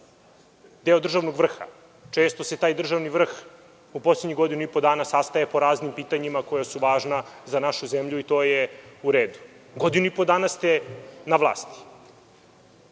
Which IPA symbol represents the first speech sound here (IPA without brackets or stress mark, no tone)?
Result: d̪